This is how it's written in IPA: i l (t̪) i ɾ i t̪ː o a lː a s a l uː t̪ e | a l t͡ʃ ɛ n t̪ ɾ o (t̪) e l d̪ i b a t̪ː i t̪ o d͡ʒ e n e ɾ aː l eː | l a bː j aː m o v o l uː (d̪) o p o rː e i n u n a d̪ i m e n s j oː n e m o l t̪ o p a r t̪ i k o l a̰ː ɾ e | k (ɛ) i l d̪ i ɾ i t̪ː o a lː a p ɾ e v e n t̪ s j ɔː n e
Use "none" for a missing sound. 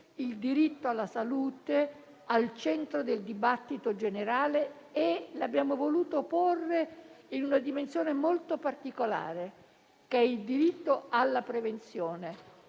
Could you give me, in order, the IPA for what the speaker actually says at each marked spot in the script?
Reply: d̪, d̪, t̪, ɛ

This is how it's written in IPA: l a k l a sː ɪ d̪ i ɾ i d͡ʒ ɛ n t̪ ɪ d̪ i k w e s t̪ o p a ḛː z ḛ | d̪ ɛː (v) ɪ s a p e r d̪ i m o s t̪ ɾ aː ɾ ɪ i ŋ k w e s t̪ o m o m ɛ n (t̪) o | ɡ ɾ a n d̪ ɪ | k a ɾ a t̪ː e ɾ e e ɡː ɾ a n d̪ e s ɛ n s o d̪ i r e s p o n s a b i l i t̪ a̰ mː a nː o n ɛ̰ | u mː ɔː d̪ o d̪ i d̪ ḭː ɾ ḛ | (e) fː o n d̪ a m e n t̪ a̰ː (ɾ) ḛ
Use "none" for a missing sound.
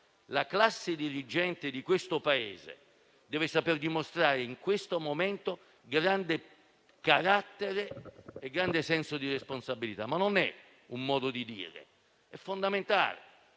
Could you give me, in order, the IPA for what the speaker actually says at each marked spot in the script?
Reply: v, t̪, ɛ, l

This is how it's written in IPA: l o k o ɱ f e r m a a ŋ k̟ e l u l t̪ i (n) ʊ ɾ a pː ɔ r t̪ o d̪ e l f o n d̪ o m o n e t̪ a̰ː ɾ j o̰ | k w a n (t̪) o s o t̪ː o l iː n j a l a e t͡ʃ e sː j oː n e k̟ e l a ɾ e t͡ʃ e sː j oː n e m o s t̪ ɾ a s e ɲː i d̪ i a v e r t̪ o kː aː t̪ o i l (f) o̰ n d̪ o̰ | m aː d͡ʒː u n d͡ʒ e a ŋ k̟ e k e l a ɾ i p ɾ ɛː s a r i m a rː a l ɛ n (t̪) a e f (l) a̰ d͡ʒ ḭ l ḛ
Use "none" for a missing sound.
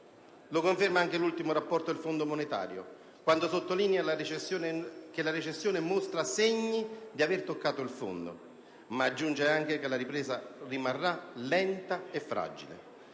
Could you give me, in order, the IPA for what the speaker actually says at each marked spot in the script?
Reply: m, d̪, f, t̪, ɾ

